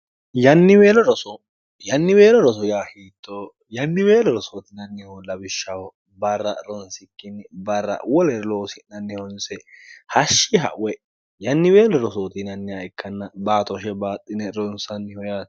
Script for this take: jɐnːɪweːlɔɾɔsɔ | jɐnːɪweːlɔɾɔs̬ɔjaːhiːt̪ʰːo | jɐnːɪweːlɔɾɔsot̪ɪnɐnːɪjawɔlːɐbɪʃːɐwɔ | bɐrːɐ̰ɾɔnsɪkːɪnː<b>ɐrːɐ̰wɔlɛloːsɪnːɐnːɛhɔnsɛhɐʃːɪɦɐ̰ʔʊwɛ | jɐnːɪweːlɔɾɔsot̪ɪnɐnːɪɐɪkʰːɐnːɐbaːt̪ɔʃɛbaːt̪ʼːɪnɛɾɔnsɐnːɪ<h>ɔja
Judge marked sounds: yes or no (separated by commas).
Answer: yes, yes